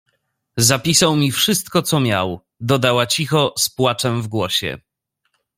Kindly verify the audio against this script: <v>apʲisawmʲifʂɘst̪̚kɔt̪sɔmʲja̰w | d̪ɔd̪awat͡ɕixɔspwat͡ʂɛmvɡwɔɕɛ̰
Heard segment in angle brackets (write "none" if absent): z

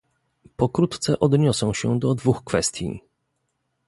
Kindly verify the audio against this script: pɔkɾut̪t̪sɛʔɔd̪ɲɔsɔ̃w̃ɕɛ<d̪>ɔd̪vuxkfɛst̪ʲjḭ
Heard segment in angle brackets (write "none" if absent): d̪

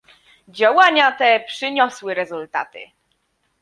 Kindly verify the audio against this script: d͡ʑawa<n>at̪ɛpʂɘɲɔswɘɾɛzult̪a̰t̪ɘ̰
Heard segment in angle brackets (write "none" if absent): ɲ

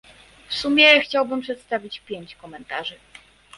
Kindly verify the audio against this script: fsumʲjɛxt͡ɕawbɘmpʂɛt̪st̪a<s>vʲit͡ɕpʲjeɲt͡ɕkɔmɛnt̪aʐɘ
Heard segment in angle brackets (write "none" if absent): none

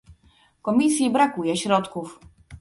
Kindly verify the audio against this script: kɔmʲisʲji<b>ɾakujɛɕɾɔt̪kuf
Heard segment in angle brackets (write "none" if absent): b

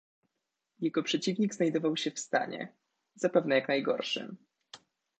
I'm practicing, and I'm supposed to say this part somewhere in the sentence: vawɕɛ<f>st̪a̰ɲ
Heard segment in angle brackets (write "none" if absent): f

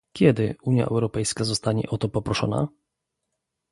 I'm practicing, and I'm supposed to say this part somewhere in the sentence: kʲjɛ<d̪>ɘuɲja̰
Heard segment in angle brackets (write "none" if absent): d̪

